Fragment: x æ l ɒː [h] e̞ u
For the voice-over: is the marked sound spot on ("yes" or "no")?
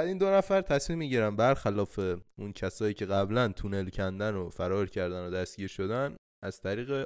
no